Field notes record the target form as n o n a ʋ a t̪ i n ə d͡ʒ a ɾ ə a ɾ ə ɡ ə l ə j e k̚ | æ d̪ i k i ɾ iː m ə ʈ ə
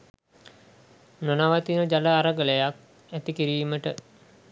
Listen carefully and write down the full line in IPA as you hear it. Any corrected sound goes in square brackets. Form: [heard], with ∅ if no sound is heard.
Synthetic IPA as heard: n o n a ʋ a t̪ i n ə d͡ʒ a [l] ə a ɾ ə ɡ ə l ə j [a] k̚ | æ [t̪] i k i ɾ iː m ə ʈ ə